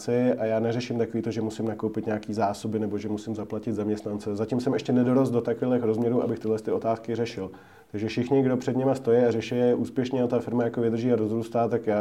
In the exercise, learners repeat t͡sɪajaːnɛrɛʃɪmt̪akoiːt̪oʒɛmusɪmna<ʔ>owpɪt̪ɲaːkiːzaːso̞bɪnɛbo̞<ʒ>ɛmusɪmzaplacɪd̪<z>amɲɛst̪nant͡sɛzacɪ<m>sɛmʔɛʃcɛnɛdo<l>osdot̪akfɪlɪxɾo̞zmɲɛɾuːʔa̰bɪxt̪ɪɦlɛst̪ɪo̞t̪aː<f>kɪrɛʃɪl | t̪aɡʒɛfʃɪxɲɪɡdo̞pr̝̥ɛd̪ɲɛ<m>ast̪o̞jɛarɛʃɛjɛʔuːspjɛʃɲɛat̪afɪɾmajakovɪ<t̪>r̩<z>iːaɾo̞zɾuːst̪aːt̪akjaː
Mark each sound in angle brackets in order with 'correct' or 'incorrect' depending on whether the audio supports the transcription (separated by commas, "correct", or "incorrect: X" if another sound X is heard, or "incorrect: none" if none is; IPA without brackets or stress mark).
incorrect: k, correct, correct, correct, incorrect: ɾ, incorrect: s, correct, incorrect: d̪, incorrect: ʒ